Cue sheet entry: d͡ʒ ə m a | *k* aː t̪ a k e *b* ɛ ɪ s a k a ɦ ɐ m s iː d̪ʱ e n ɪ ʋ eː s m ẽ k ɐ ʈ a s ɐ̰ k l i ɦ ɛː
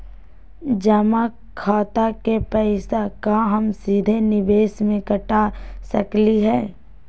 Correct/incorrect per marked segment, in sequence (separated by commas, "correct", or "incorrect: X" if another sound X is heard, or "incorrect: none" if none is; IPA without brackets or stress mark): incorrect: kʰ, incorrect: p